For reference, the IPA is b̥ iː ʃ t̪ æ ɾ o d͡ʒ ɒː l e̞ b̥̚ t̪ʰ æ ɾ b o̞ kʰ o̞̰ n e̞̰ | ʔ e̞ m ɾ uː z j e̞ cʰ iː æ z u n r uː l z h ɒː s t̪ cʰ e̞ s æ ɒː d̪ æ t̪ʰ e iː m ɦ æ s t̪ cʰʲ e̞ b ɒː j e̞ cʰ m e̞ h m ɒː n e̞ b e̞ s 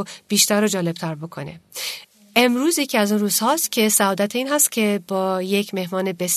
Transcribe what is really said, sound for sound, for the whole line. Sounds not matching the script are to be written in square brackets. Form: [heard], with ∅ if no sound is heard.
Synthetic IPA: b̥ iː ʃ t̪ æ ɾ o d͡ʒ ɒː l e̞ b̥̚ t̪ʰ æ ɾ b o̞ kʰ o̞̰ n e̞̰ | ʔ e̞ m ɾ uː z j e̞ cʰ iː æ z u n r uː [∅] z h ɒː s t̪ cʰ e̞ s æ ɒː d̪ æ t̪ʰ e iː [n] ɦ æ s t̪ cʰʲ e̞ b ɒː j e̞ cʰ m e̞ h m ɒː n e̞ b e̞ s